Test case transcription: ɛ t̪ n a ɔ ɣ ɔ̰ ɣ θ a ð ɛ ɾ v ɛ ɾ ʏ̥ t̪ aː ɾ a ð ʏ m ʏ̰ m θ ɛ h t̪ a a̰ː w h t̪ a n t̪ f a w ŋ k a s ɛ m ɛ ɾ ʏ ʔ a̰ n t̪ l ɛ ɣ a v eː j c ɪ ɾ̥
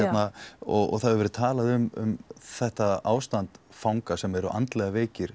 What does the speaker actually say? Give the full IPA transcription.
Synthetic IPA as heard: ɛ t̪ n a ɔ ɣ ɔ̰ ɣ θ a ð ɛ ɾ v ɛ ɾ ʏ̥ t̪ʰ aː l a ð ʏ m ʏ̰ m θ ɛ h t̪ a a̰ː w s t̪ a n t̪ f a w ŋ k a s ɛ m ɛ ɾ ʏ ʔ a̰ n t̪ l ɛ ɣ a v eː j c ɪ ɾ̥

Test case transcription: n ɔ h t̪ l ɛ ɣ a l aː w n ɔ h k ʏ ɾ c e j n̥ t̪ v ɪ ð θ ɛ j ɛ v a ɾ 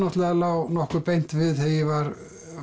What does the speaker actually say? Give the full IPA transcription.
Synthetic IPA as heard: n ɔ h t̪ l ɛ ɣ a l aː w n ɔ h k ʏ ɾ p e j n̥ t̪ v ɪ ð θ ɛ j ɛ v a ɾ

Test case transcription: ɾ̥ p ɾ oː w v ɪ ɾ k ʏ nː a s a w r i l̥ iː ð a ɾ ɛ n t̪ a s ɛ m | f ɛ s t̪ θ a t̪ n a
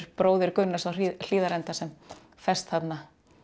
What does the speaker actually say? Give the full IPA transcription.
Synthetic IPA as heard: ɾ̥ p ɾ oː w ð ɪ ɾ k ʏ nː a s a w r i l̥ iː ð a ɾ ɛ n t̪ a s ɛ m | f ɛ s t̪ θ a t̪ n a

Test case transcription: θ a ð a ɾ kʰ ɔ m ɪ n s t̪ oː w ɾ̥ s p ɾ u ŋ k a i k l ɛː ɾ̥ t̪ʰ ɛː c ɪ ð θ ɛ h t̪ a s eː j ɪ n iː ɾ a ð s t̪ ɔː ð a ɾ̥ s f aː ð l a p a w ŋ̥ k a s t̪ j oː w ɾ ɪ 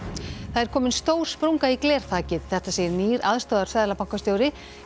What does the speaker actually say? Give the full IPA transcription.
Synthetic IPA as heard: θ a ð ɛ ɾ kʰ ɔː m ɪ n s t̪ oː w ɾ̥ s p ɾ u ŋ k a i k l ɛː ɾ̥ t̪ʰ aː c ɪ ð θ ɛ h t̪ a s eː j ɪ n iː ɾ a ð s t̪ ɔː ð a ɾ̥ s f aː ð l a p a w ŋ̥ k a s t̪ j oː w ɾ ɪ

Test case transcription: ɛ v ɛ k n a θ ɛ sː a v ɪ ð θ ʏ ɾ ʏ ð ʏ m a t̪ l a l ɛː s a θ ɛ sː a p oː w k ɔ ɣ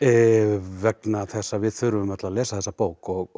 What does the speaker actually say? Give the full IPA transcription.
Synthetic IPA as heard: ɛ v ɛ k n a θ ɛ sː a v ɪ ð θ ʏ ɾ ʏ v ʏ m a t̪ l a l ɛː s a θ ɛ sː a p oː w k ɔ ɣ

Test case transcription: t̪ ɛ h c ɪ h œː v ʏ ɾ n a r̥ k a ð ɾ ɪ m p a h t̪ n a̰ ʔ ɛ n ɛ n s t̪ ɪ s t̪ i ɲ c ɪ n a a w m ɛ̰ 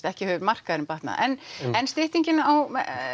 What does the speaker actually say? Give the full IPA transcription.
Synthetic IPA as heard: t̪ ɛ h c ɪ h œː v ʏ ɾ m a r̥ k a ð ɾ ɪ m p a h t̪ n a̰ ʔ ɛ n ɛ n s t̪ ɪ h t̪ i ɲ c ɪ n a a w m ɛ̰

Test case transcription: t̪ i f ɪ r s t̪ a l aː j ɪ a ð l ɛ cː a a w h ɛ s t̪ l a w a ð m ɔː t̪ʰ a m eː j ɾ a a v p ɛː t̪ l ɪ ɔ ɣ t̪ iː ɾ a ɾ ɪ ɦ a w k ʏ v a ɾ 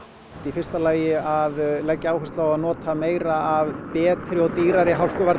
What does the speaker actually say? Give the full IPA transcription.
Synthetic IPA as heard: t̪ i f ɪ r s t̪ a l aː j ɪ a ð l ɛ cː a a w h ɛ s t̪ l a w a ð n ɔː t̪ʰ a m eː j ɾ a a v p ɛː t̪ ɾ ɪ ɔ ɣ t̪ iː ɾ a ɾ ɪ ɦ a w k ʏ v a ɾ

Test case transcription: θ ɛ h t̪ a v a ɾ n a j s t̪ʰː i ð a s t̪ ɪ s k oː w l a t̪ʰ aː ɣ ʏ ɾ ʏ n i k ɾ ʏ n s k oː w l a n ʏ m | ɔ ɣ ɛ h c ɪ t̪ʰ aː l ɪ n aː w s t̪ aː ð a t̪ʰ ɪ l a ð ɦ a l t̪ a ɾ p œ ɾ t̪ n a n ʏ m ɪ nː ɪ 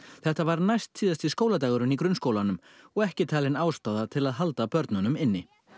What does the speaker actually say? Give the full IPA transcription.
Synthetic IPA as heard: θ ɛ h t̪ a v a ɾ n a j s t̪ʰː iː ð a s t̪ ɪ s k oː w l a t̪ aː ɣ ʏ ɾ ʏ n i k ɾ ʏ n s k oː w l a n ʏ m | ɔ ɣ ɛ h c ɪ t̪ʰ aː l ɪ n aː w s t̪ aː ð a t̪ʰ ɪ l a ð ɦ a l t̪ a p œ ɾ t̪ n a n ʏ m ɪ nː ɪ

